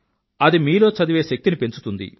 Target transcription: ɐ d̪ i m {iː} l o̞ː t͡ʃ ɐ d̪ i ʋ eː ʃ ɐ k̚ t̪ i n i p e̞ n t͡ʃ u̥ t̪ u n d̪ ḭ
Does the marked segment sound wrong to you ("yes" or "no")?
no